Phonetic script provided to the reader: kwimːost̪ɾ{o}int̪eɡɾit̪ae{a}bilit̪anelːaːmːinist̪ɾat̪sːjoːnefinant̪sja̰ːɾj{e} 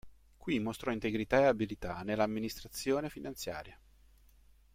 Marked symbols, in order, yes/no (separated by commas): no, yes, no